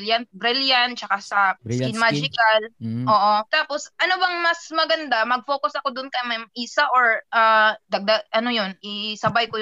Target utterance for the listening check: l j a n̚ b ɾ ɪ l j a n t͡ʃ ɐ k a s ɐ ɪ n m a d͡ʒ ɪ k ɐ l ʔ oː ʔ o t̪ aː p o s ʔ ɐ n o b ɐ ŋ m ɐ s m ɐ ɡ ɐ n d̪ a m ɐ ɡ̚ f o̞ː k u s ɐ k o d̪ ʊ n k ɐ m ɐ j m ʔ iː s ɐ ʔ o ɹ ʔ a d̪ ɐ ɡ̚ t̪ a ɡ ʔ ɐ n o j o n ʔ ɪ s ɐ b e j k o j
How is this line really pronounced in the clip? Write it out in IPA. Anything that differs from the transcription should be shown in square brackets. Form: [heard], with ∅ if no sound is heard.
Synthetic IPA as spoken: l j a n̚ b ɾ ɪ l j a n t͡ʃ ɐ k a s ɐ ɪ n m a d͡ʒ ɪ k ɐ l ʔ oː ʔ o t̪ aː p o s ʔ ɐ n o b ɐ ŋ m ɐ s m ɐ ɡ ɐ n d̪ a m ɐ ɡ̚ f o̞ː k [ʊ] s ɐ k o d̪ ʊ n k ɐ m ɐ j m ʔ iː s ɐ ʔ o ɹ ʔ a d̪ ɐ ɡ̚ [d̪] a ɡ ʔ ɐ n o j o n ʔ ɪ s ɐ b [a] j k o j